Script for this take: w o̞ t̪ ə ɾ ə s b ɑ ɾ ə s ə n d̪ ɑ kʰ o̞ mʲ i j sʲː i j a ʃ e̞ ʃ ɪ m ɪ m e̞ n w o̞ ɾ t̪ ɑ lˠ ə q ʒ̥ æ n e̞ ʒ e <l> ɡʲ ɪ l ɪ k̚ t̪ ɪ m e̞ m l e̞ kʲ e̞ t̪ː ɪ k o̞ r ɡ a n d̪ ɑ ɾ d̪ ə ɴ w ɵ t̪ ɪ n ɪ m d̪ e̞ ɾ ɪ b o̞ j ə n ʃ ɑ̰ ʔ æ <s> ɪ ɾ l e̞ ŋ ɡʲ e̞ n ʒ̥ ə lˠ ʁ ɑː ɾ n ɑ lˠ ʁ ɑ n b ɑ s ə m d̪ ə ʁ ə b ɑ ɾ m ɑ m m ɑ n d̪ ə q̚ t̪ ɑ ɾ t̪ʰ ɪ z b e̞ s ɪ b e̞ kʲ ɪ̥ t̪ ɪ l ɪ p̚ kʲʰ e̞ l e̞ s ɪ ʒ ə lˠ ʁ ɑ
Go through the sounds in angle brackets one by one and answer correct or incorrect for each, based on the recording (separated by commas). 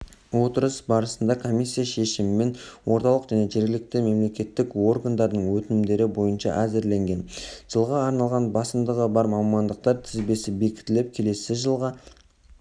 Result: incorrect, incorrect